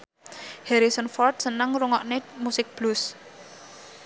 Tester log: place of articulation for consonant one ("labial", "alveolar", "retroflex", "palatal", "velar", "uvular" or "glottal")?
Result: glottal